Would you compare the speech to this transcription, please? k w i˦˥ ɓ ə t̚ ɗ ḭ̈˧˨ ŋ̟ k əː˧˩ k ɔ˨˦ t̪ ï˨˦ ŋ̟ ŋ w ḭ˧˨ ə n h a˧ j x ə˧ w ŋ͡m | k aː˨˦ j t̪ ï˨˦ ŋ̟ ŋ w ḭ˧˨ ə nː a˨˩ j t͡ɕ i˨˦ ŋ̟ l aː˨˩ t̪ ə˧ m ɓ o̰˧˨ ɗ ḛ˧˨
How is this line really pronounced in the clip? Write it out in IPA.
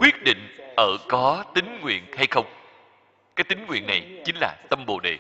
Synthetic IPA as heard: k w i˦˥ ə t̚ ɗ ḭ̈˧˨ ŋ̟ ʔ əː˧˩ k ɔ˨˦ t̪ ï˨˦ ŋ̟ ŋ w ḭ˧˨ ə n h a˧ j x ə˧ w ŋ͡m | k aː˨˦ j t̪ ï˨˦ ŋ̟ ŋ w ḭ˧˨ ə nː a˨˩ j t͡ɕ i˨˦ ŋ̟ l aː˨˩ t̪ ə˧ m ɓ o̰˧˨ ɗ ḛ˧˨